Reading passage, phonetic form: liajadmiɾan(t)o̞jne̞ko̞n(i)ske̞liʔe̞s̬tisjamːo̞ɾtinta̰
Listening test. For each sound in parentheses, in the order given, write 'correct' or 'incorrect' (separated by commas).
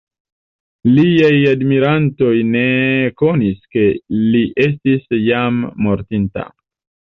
correct, correct